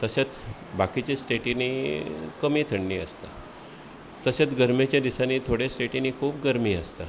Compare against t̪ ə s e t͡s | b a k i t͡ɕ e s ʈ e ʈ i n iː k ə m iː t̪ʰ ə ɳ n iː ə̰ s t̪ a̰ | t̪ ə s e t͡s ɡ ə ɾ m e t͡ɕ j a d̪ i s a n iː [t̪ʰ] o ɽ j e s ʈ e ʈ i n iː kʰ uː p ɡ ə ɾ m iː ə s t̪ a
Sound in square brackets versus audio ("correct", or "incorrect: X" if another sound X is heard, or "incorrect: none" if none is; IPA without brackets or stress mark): correct